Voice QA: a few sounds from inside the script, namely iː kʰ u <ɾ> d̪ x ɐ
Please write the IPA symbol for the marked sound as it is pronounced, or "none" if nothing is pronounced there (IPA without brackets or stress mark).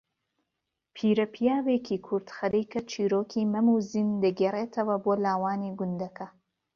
ɾ